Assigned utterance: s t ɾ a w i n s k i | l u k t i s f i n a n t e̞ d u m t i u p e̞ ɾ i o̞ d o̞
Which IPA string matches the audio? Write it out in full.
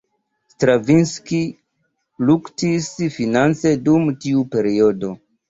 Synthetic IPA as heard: s t ɾ a v i n s k i | l u k t i s f i n a n t͡s e̞ d u m t i u p e̞ ɾ i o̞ d o̞